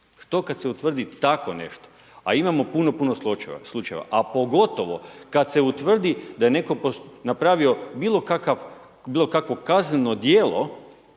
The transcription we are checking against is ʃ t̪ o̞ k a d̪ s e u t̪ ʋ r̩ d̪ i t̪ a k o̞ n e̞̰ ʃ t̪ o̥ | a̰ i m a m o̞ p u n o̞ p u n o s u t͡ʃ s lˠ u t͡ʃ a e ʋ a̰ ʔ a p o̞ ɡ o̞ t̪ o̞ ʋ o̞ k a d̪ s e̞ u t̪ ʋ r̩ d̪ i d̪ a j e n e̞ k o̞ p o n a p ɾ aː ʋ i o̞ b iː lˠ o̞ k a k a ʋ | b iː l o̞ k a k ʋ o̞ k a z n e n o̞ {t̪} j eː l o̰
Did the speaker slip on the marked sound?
yes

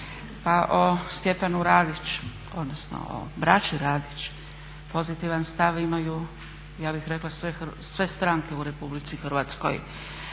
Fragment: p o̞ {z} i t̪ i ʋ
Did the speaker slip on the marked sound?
no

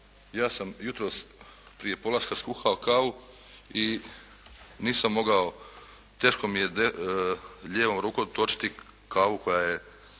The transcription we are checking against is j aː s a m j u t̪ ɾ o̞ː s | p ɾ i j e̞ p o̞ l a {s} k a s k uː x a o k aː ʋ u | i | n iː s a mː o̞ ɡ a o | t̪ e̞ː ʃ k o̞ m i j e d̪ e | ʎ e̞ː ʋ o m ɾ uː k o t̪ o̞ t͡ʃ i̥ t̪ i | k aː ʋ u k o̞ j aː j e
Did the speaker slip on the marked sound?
no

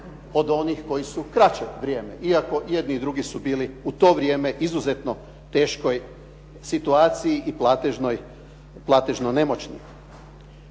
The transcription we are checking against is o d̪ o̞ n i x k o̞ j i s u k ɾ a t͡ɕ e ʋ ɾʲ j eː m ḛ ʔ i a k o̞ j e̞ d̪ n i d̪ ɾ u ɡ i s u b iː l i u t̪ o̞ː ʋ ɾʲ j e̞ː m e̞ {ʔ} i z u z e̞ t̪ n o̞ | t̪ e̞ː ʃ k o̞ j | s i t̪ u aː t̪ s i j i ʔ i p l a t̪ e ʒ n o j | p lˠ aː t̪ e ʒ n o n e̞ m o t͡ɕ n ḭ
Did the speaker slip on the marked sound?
no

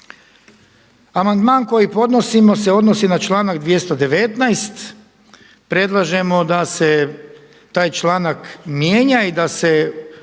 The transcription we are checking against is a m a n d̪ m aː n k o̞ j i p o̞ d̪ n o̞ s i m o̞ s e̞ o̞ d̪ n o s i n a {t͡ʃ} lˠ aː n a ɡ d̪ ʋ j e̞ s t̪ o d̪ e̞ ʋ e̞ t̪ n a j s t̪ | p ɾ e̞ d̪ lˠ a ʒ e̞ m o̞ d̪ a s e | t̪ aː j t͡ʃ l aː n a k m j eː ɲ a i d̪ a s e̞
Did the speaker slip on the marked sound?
no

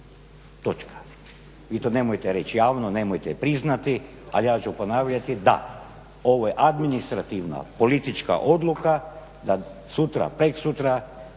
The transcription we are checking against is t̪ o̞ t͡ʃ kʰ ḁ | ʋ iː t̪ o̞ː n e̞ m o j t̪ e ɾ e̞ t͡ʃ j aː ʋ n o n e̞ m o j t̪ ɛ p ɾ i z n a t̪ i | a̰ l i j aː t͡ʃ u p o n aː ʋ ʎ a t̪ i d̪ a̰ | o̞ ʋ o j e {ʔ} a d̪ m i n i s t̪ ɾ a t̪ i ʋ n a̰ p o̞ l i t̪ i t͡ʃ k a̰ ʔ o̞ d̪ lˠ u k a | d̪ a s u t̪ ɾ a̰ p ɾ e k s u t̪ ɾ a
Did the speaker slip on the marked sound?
no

